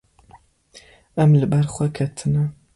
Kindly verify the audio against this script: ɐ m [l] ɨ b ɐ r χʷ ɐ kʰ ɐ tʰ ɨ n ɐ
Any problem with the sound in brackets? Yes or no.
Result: no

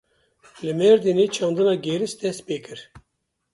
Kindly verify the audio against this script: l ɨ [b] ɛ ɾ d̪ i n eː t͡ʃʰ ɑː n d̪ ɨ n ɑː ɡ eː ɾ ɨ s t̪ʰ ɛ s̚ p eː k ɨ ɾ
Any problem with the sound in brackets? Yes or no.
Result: yes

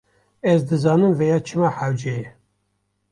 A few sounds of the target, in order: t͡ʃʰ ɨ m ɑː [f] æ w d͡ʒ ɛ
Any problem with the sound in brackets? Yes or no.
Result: yes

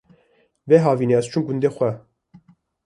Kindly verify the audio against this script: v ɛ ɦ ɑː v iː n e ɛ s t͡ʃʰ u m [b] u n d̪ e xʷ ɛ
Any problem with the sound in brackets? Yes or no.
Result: yes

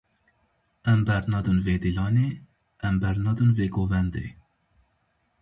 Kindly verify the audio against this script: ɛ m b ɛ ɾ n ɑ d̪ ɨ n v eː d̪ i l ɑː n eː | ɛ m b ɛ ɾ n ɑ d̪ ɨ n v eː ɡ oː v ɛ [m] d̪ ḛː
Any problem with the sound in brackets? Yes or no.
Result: yes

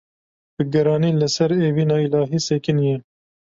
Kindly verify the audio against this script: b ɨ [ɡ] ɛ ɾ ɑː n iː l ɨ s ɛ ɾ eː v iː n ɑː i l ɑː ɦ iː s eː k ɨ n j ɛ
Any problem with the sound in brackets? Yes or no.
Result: no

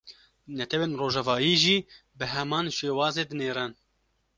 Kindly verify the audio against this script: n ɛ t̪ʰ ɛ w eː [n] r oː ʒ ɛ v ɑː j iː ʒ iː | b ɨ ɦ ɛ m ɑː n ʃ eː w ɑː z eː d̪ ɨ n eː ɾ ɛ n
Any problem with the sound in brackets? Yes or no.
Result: no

